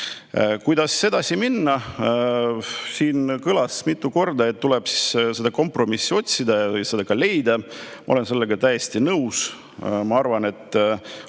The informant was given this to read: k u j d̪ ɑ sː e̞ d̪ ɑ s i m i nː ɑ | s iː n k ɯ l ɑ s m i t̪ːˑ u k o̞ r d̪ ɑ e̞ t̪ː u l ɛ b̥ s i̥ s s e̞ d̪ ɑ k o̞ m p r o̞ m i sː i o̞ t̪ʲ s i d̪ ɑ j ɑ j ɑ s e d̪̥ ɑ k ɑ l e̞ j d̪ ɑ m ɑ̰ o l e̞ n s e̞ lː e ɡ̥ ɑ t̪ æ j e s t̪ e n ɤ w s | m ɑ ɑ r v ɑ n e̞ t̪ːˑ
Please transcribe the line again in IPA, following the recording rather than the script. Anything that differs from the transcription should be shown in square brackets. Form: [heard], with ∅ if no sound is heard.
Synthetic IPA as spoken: k u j d̪ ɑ sː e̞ d̪ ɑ s i m i nː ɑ | s iː n k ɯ l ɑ s m i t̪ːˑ u k o̞ r d̪ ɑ e̞ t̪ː u l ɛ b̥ s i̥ s s e̞ d̪ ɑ k o̞ m p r o̞ m i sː i o̞ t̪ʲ s i d̪ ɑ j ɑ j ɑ s e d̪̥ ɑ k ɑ l e̞ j d̪ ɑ m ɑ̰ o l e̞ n s e̞ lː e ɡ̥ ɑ t̪ æ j e s t̪ [i] n ɤ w s | m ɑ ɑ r v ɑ n e̞ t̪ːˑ